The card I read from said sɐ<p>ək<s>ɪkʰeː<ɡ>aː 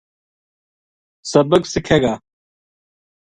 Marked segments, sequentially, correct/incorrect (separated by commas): incorrect, correct, correct